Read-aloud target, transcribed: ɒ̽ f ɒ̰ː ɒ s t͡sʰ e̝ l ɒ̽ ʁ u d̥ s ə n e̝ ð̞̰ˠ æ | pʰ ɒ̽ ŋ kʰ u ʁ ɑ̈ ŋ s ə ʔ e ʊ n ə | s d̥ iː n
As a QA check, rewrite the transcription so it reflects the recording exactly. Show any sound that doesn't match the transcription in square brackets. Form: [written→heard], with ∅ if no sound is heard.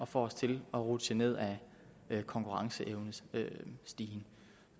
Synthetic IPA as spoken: ɒ̽ f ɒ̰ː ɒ s t͡sʰ e̝ l ɒ̽ ʁ u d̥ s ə n e̝ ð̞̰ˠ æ | [pʰ→kʰ] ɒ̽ ŋ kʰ u ʁ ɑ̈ ŋ s ə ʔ e ʊ n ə | s d̥ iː n